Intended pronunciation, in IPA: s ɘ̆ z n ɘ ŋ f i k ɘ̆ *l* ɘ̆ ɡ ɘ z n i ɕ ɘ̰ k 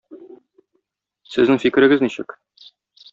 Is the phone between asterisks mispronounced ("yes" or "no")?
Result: yes